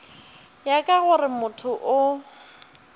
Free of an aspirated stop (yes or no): no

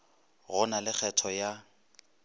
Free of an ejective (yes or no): yes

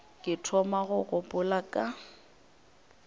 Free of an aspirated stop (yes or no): no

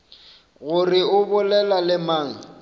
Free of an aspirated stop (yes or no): yes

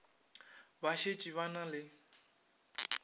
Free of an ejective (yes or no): no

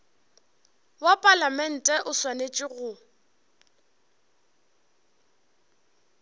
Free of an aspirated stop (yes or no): yes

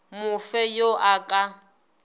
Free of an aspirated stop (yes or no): yes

